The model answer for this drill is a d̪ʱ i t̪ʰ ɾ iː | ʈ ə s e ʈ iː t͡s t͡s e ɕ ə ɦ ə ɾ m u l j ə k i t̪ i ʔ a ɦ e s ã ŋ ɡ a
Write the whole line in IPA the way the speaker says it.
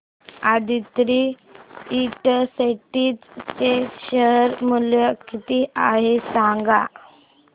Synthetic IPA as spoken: a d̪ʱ i t̪ ɾ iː | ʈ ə s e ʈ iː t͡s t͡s e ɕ ə ɦ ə ɾ m u l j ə k i t̪ i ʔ a ɦ e s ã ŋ ɡ a